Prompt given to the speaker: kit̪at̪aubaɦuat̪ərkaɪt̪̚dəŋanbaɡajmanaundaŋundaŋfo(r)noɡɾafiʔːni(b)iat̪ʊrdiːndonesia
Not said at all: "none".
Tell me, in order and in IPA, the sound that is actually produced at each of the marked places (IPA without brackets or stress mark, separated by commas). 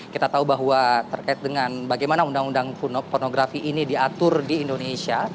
r, d